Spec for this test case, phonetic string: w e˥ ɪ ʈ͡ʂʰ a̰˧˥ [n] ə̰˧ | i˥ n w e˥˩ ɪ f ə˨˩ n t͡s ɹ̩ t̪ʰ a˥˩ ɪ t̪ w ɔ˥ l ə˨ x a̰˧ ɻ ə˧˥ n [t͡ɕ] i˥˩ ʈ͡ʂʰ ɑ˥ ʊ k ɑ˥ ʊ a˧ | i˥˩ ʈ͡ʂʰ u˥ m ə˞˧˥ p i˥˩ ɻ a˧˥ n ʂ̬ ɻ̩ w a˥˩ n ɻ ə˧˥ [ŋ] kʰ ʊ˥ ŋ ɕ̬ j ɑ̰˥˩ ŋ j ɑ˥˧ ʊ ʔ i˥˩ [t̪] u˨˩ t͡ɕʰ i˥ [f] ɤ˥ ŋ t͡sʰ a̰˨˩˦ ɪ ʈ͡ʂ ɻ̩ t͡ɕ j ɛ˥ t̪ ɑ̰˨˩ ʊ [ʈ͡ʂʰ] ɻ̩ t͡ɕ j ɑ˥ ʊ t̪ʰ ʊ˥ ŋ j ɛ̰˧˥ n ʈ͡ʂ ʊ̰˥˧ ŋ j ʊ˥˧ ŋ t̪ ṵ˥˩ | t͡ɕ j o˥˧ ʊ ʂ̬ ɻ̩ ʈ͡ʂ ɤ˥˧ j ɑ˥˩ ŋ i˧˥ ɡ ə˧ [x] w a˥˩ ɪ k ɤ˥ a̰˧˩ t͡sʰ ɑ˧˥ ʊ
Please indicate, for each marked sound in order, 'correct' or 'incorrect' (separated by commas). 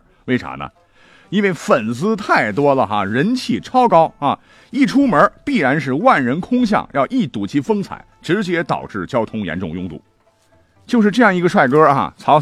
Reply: correct, incorrect, incorrect, correct, correct, incorrect, incorrect